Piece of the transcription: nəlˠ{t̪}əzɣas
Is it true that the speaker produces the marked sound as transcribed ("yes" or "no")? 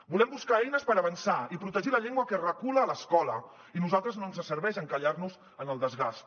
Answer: no